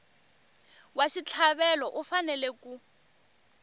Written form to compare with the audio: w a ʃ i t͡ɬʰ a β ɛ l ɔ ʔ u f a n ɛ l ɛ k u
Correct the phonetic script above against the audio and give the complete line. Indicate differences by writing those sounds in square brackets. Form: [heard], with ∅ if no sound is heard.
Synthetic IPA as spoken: w a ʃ i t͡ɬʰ a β ɛ l ɔ ʔ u f a n ɛ l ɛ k u